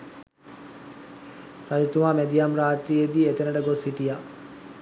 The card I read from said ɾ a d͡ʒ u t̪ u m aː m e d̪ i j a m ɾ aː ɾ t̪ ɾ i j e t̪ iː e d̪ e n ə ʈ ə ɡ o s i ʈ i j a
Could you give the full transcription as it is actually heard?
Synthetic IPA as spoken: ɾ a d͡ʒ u t̪ u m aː m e d̪ i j a m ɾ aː t̪ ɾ i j e d̪ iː e t̪ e n ə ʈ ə ɡ o s i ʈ i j a